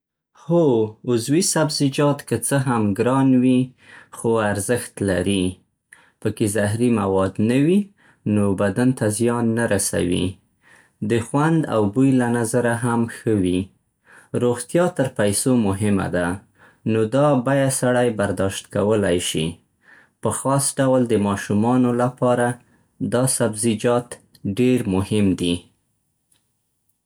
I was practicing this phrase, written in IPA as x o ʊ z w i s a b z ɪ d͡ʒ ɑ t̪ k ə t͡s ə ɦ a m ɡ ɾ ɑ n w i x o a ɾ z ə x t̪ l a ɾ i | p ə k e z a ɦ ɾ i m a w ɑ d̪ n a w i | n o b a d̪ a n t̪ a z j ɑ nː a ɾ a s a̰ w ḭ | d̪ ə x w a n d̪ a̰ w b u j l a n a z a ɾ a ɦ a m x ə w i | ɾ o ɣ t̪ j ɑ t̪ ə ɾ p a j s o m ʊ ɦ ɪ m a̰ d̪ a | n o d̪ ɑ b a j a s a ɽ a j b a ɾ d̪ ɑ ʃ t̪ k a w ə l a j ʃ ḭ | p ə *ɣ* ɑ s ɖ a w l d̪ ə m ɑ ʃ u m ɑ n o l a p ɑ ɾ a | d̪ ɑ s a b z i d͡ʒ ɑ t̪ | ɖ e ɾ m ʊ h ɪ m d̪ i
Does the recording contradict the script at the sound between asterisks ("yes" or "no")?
yes